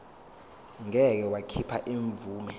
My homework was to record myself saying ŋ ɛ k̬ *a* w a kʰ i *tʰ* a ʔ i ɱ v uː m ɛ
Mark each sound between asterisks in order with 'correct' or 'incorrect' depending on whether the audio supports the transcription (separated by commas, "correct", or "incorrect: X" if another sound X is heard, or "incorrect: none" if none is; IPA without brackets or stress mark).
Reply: incorrect: ɛ, incorrect: pʰ